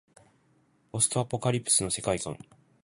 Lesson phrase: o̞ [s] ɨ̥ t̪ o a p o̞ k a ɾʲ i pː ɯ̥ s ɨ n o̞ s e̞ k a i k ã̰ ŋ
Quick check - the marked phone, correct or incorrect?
correct